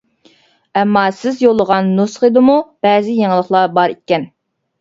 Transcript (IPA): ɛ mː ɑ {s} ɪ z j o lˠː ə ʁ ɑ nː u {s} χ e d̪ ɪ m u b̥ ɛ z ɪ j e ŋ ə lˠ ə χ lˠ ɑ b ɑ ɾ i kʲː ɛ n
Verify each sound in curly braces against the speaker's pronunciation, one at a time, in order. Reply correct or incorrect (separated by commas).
correct, correct